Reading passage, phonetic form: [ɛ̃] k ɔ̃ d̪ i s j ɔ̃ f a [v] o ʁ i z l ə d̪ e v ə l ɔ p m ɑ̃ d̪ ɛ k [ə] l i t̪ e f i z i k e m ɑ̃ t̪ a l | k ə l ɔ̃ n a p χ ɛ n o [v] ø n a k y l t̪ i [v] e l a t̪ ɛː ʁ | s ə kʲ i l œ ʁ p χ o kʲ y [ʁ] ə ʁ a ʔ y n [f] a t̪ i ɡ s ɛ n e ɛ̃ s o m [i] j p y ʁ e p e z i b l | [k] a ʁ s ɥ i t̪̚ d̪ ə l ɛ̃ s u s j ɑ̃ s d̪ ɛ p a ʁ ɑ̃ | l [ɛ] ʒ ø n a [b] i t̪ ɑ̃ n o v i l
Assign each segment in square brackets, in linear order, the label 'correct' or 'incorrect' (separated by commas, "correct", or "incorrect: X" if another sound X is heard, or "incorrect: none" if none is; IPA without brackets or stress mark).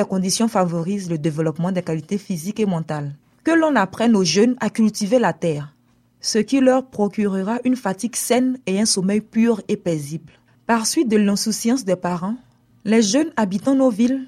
incorrect: ɛ, correct, incorrect: a, incorrect: ʒ, correct, correct, correct, incorrect: ɛ, incorrect: p, correct, correct